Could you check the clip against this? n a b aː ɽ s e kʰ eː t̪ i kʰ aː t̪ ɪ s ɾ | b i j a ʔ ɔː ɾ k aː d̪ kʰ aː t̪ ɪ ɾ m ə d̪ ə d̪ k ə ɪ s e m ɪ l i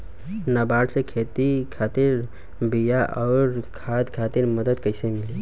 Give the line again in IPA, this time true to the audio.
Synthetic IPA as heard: n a b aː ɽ s e kʰ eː t̪ i kʰ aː t̪ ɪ ɾ | b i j a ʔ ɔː ɾ kʰ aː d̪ kʰ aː t̪ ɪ ɾ m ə d̪ ə d̪ k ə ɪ s e m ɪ l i